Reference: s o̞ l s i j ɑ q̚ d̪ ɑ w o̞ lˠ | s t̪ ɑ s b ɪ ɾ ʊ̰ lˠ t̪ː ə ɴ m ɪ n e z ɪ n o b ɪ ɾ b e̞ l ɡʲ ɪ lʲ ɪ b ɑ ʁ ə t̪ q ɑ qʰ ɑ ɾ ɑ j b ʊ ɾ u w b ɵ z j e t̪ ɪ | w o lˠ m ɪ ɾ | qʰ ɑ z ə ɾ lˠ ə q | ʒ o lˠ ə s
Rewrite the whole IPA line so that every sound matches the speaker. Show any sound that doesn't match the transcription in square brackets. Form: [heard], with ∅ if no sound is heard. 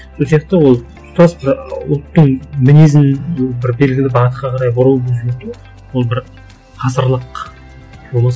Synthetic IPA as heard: s o̞ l s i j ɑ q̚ [t̪] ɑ w o̞ lˠ | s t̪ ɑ s b ɪ ɾ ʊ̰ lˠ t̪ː ə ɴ m ɪ n e z ɪ n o b ɪ ɾ b e̞ l ɡʲ ɪ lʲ ɪ b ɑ ʁ ə t̪ q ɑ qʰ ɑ ɾ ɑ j b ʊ ɾ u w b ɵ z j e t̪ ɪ | w o lˠ [b] ɪ ɾ | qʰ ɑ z ə ɾ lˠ ə q | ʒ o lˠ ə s